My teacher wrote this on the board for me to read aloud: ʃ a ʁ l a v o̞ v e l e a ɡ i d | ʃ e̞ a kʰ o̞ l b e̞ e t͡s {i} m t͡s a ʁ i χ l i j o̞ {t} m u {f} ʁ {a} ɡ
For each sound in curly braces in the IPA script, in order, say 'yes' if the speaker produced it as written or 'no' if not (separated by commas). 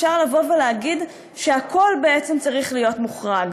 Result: no, yes, no, yes